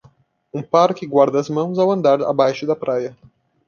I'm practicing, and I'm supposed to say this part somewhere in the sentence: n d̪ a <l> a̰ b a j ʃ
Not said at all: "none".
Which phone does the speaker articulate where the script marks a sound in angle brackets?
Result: ɾ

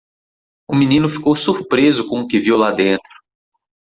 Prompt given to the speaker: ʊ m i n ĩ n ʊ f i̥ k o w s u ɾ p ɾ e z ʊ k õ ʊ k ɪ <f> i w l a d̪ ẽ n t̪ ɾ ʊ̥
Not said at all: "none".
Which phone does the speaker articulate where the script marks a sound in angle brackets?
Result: v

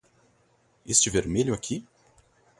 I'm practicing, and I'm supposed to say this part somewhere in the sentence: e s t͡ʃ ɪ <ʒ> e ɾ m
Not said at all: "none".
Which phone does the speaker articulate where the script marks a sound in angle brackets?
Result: v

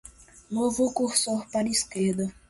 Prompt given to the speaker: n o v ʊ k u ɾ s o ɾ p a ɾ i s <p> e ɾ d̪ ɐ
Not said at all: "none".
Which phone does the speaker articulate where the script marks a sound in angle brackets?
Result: k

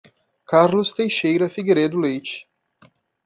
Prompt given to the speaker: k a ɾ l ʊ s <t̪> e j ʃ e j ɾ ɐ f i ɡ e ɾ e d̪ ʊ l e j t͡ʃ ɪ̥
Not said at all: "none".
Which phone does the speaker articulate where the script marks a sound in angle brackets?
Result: t̪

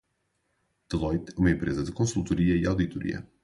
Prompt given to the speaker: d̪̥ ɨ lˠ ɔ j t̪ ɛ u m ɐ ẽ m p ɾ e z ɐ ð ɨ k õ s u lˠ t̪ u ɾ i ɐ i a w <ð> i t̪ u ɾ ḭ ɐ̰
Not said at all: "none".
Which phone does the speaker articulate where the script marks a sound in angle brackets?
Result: ð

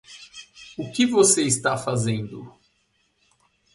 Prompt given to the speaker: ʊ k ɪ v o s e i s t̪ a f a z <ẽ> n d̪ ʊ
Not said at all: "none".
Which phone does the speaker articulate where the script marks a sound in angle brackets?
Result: ẽ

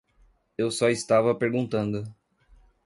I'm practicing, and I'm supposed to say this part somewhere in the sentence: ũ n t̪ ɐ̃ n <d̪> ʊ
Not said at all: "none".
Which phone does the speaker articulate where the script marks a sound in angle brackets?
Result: d̪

